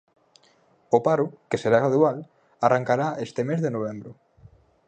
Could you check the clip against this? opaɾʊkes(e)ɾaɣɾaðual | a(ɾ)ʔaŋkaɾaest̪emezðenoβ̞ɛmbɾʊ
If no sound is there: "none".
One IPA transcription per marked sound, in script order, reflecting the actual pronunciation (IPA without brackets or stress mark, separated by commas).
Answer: e, r